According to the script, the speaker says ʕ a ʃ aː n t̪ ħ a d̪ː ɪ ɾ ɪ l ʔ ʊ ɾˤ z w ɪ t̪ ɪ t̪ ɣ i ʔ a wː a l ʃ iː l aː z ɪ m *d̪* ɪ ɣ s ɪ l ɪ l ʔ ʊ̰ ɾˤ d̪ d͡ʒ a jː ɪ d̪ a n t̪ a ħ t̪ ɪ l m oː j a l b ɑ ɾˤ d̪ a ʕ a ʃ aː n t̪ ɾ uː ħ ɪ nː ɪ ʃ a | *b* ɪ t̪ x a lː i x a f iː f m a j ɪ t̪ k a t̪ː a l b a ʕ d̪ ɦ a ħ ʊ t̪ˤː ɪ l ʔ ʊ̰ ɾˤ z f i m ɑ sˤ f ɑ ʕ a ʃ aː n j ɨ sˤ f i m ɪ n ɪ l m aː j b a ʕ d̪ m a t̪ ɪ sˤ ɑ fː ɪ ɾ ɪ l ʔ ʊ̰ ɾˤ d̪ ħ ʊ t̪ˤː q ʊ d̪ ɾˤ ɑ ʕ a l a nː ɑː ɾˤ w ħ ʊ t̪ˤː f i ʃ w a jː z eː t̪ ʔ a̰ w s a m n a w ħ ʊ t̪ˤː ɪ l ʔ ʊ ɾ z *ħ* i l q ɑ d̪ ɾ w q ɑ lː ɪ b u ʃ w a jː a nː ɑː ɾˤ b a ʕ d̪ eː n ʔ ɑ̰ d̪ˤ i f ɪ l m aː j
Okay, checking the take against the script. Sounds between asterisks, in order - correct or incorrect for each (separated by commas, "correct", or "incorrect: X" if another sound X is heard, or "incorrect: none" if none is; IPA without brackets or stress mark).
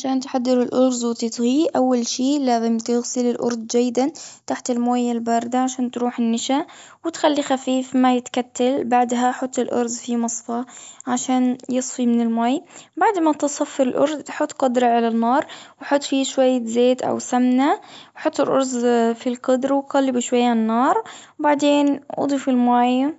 incorrect: t̪, incorrect: w, incorrect: f